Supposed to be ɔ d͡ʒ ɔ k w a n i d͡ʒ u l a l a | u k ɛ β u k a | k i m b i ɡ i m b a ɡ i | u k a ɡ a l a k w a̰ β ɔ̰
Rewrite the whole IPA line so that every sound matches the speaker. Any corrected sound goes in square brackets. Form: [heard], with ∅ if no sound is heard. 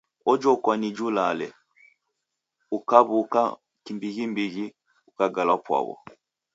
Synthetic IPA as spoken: ɔ d͡ʒ ɔ k w a n i d͡ʒ u l a l [ɛ] | u k [a] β u k a | k i m b i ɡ i m b [i] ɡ i | u k a ɡ a l a [p] w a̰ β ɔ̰

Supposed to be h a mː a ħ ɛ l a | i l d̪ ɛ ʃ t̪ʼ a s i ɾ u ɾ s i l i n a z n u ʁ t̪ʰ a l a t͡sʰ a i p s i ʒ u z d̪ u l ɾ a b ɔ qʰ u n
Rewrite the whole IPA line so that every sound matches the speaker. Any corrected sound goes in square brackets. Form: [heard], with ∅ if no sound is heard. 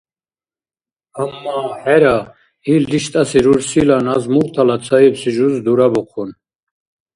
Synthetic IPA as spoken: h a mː a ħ ɛ [ɾ] a | i l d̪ [i] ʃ t̪ʼ a s i ɾ u ɾ s i l [a] n a z [m] u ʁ t̪ʰ a l a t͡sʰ a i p s i ʒ u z d̪ u [∅] ɾ a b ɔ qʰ u n

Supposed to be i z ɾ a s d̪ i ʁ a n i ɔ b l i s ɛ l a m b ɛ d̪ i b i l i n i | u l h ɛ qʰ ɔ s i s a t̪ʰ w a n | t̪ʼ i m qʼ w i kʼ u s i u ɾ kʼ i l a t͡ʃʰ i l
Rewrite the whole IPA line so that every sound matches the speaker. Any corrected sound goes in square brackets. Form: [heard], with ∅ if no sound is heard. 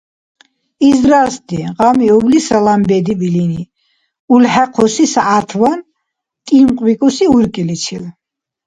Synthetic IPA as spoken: i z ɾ a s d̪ i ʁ a [m] i ɔ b l i s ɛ l a m b ɛ d̪ i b i l i n i | u l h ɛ qʰ ɔ s i s a t̪ʰ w a n | t̪ʼ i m qʼ w i kʼ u s i u ɾ kʼ i l [i] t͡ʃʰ i l

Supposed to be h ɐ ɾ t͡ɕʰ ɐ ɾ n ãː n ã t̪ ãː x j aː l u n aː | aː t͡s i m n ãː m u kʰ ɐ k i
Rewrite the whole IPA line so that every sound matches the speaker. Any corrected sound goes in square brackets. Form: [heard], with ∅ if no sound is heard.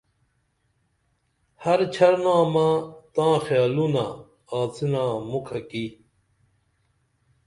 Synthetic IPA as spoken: h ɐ ɾ t͡ɕʰ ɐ ɾ n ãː [m] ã t̪ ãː x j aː l u n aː | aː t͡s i [∅] n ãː m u kʰ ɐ k i

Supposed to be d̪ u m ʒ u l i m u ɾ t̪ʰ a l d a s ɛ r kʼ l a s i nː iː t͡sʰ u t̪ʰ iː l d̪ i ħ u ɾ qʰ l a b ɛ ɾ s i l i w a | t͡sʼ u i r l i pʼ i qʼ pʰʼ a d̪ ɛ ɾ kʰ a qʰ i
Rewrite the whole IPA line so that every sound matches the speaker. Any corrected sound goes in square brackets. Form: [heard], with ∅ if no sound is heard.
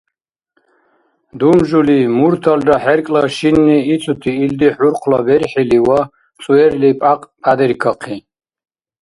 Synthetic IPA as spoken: d̪ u m ʒ u l i m u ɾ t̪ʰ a l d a [ħ] ɛ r kʼ l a [ʃ] i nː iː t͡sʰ u t̪ʰ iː l d̪ i ħ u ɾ qʰ l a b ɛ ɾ [ħ] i l i w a | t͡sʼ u [ɛ] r l i pʼ [a] qʼ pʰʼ a d̪ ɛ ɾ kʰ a qʰ i

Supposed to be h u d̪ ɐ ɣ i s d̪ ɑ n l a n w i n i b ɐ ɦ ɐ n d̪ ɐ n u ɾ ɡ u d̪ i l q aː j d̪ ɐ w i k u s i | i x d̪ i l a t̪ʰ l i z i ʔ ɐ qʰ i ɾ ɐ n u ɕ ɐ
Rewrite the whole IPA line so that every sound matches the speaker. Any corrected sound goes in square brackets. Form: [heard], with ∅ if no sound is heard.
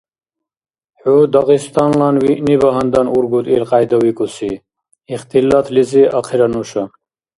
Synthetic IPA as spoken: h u d̪ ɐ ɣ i s [t̪] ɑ n l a n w i n i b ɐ ɦ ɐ n d̪ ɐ n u ɾ ɡ u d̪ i l q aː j d̪ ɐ w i k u s i | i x [t̪] i l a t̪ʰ l i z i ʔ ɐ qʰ i ɾ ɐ n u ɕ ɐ

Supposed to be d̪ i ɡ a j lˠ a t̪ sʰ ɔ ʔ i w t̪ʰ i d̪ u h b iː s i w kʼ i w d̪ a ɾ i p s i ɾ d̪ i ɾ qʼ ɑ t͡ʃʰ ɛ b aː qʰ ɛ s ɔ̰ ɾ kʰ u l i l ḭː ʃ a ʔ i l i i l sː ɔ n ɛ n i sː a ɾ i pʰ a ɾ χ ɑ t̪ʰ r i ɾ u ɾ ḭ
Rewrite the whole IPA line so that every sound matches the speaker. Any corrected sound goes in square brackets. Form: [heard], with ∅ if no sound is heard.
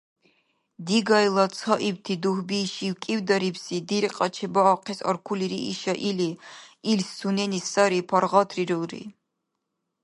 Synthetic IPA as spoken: d̪ i ɡ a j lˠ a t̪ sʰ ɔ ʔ i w t̪ʰ i d̪ u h b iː [ʃ] i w kʼ i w d̪ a ɾ i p s i [∅] d̪ i ɾ qʼ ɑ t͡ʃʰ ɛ b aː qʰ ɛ s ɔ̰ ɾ kʰ u l i [ɾ] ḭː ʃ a ʔ i l i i l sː [u] n ɛ n i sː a ɾ i pʰ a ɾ [ʁ] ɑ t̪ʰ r i ɾ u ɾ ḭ

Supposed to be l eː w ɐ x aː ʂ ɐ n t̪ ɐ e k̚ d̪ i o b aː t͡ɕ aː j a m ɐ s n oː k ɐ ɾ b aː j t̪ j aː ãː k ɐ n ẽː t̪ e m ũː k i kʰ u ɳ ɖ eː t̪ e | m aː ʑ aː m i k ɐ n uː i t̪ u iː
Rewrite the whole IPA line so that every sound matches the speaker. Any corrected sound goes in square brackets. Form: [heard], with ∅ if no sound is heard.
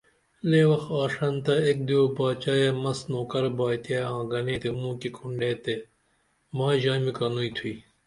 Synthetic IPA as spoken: l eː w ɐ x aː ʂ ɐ n t̪ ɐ e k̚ d̪ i o b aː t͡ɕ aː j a m ɐ s n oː k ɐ ɾ b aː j t̪ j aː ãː [ɡ] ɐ n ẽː t̪ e m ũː k i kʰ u ɳ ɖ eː t̪ e | m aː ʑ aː m i k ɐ n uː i [t̪ʰ] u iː

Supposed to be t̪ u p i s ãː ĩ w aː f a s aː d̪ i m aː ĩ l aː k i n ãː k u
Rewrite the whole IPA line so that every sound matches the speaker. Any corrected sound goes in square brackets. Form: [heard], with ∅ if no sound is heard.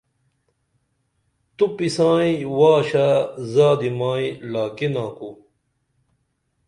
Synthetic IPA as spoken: t̪ u p i s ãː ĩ w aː [ɕ] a [z] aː d̪ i m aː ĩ l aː k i n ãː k u

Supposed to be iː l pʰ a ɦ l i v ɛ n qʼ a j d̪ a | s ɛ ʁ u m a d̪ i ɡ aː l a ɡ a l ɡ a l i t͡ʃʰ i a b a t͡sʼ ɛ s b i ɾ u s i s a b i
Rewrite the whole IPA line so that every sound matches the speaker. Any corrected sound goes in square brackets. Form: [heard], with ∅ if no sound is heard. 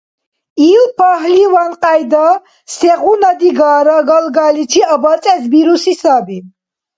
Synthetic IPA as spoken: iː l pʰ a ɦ l i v [a] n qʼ a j d̪ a | s ɛ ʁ u [n] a d̪ i ɡ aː [ɾ] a ɡ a l ɡ a l i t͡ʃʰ i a b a t͡sʼ ɛ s b i ɾ u s i s a b i

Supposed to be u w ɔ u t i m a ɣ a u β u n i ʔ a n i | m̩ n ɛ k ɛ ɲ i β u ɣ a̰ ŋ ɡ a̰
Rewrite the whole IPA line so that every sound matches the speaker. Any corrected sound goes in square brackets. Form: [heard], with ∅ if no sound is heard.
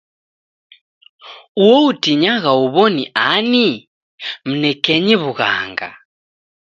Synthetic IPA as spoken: u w ɔ u t i [ɲ] a ɣ a u β [ɔ] n i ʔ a n i | m̩ n ɛ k ɛ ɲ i β u ɣ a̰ ŋ ɡ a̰

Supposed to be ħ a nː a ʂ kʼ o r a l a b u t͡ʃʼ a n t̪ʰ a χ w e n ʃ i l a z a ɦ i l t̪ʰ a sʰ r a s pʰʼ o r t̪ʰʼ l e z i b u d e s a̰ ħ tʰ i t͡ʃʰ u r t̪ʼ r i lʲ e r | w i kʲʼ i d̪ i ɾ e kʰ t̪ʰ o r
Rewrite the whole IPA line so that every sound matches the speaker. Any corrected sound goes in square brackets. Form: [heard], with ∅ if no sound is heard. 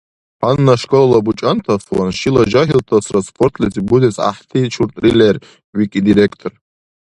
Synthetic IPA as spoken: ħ a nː a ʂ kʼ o [l] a l a b u t͡ʃʼ a n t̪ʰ a [f] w [a] n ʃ i l a [ʒ] a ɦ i l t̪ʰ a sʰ r a s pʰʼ o r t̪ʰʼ l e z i b u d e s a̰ ħ tʰ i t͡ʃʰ u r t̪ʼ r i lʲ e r | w i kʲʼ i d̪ i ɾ e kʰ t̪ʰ o r

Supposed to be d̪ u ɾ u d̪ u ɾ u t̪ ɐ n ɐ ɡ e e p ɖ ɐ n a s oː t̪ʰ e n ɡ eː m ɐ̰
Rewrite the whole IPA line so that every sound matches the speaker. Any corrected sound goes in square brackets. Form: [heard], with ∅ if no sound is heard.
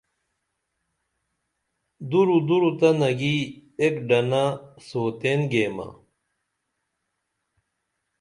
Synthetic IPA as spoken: d̪ u ɾ u d̪ u ɾ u t̪ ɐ n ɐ ɡ [i] e [k] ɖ ɐ n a s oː [t̪] e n ɡ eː m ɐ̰

